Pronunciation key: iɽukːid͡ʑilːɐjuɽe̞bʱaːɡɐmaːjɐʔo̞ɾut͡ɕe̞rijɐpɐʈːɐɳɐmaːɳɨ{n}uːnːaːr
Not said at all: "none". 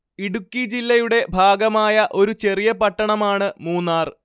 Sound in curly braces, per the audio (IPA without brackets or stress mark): m